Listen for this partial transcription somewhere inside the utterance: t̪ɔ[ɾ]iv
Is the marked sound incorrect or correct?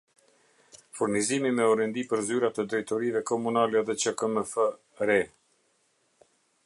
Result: correct